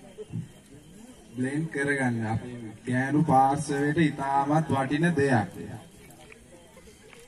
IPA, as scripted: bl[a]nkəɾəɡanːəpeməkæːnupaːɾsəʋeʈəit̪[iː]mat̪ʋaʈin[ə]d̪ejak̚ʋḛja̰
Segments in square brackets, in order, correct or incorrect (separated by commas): incorrect, incorrect, correct